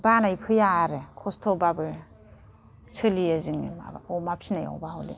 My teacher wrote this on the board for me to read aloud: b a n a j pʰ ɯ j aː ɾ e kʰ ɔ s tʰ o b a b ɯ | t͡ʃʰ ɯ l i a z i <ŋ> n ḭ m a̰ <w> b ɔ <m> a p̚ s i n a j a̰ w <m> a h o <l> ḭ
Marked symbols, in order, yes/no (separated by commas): yes, no, yes, no, yes